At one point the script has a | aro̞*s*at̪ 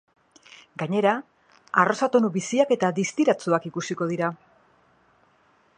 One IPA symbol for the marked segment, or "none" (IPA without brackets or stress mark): s